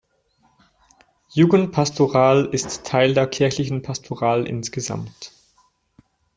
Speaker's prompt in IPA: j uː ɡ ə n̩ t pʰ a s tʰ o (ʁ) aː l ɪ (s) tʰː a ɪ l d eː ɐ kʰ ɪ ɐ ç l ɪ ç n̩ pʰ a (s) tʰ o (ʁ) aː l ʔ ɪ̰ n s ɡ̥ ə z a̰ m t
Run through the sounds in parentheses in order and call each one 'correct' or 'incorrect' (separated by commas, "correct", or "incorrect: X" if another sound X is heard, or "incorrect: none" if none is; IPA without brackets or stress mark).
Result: correct, correct, correct, correct